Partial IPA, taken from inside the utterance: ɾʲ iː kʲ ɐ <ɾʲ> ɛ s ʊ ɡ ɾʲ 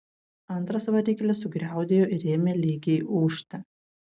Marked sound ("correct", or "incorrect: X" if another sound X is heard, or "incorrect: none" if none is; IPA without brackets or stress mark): incorrect: lʲ